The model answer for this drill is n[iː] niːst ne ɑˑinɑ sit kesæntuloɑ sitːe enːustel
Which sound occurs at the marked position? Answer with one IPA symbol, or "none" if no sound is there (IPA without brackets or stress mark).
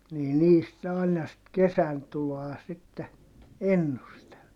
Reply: iː